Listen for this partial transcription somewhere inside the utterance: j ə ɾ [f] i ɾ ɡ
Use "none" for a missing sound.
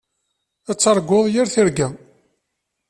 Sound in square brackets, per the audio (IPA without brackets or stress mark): θ